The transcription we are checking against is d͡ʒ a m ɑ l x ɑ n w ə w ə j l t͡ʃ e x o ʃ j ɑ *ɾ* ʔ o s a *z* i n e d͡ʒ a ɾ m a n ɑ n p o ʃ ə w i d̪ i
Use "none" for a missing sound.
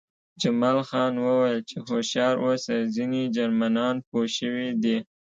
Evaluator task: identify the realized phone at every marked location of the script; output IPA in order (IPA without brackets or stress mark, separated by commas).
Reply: ɾ, z